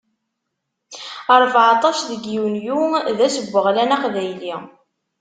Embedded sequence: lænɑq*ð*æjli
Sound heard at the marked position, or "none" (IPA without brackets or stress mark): ð